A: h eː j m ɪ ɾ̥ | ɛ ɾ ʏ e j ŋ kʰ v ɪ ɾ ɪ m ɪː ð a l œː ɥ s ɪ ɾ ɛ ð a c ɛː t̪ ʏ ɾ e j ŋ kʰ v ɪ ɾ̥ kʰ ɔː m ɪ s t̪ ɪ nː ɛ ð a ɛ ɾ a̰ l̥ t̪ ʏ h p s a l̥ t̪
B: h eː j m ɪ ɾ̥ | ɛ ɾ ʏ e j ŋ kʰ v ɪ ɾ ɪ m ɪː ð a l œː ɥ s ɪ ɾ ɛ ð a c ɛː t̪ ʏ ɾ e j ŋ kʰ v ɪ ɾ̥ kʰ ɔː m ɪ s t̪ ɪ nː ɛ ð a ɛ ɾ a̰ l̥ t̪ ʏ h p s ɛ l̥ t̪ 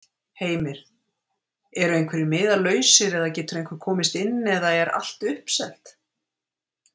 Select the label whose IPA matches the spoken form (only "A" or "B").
B